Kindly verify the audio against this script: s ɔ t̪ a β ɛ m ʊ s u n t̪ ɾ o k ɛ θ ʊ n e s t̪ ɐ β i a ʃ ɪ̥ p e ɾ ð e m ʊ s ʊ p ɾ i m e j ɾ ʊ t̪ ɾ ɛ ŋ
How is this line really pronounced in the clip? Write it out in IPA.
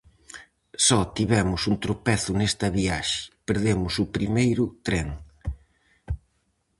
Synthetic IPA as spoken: s ɔ t̪ i β ɛ m ʊ s u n t̪ ɾ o p ɛ θ ʊ n e s t̪ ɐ β i a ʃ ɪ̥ p e ɾ ð e m ʊ s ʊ p ɾ i m e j ɾ ʊ t̪ ɾ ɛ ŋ